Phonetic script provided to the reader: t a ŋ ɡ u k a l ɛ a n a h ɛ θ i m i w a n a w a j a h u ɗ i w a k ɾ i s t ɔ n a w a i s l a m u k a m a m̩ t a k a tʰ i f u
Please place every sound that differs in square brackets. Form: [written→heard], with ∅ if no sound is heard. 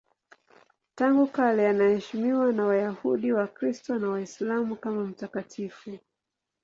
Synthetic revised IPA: t a ŋ ɡ u k a l ɛ a n a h ɛ [θ→ʃ] i m i w a n a w a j a h u ɗ i w a k ɾ i s t ɔ n a w a i s l a m u k a m a m̩ t a k a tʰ i f u